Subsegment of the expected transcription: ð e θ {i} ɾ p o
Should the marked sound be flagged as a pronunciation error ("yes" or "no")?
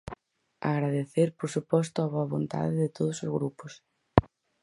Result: yes